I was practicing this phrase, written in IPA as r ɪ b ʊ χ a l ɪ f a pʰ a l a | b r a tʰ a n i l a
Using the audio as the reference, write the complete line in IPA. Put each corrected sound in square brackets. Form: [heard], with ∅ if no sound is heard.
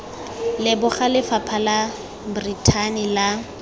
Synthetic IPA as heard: [l] ɪ b ʊ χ a l ɪ f a pʰ a l a | b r [i] tʰ a n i l a